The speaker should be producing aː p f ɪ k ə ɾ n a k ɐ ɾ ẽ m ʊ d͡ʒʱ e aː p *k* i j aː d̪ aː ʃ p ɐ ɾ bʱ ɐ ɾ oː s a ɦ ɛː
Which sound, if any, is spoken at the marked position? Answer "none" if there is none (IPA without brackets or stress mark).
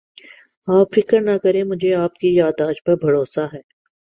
k